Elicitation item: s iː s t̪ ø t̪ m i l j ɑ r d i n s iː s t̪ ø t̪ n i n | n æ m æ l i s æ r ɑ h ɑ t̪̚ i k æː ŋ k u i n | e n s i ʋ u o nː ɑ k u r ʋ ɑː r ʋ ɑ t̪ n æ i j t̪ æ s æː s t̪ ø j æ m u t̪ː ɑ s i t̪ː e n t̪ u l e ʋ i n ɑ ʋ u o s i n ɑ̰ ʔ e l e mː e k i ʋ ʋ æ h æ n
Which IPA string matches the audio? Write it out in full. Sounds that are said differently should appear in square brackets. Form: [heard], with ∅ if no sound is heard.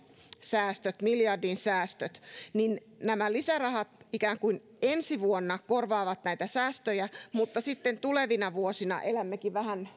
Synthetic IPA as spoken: s [æː] s t̪ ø t̪ m i l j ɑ r d i n s [æː] s t̪ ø t̪ n i n | n æ m æ l i s æ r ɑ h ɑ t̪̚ i k æː ŋ k u i n | e n s i ʋ u o nː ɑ k [o] r ʋ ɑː [∅] ʋ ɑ t̪ n æ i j t̪ æ s æː s t̪ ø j æ m u t̪ː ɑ s i t̪ː e n t̪ u l e ʋ i n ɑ ʋ u o s i n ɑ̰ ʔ e l [æ] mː e k i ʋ ʋ æ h æ n